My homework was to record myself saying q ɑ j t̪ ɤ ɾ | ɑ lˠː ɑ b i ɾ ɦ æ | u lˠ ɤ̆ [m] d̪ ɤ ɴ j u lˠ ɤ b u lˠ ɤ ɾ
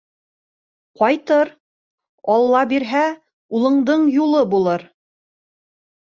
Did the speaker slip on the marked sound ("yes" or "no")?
yes